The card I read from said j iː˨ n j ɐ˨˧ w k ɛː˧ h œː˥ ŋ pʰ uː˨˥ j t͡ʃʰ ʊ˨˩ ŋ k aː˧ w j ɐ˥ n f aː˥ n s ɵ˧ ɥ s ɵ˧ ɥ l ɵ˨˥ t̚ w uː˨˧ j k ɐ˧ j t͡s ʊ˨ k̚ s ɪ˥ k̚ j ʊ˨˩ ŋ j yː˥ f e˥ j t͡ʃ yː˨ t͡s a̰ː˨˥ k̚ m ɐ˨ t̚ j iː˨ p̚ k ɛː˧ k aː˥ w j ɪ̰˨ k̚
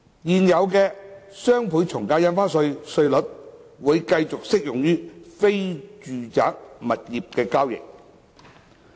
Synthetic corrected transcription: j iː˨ n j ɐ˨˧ w k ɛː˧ s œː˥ ŋ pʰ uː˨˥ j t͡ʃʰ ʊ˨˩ ŋ k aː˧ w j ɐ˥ n f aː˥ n s ɵ˧ ɥ s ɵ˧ ɥ l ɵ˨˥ t̚ w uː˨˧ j k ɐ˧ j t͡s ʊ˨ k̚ s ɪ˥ k̚ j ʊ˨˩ ŋ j yː˥ f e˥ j t͡ʃ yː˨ t͡s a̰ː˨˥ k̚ m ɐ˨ t̚ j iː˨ p̚ k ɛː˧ k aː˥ w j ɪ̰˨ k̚